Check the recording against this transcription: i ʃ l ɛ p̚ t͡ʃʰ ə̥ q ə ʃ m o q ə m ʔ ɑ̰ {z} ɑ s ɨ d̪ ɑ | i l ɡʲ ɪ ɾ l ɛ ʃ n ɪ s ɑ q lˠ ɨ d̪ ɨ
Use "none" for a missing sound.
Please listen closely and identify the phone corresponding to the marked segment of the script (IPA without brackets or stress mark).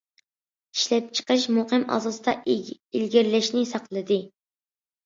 z